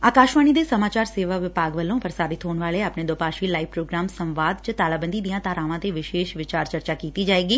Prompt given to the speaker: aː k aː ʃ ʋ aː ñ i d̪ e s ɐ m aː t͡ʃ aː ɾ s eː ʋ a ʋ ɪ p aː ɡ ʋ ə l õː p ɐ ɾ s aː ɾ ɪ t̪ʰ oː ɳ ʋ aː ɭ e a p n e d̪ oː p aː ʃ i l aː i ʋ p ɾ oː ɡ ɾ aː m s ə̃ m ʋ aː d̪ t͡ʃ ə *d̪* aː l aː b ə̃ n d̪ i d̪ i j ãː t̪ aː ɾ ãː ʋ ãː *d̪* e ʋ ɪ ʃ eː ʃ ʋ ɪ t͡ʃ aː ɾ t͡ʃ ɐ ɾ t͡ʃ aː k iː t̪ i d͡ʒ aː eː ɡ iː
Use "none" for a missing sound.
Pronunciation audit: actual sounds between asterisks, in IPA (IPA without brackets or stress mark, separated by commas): t̪, t̪